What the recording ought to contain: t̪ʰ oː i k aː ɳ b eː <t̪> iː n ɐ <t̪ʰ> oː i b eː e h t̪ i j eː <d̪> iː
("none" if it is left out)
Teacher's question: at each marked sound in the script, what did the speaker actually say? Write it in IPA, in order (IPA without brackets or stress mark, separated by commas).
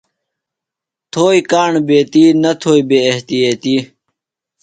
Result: t̪, t̪ʰ, t̪